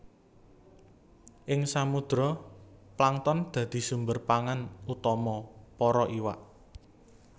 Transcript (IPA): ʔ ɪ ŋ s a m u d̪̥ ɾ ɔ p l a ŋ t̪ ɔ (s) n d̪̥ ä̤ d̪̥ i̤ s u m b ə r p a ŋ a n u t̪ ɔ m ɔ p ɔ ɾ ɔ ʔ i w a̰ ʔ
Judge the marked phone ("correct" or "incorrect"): incorrect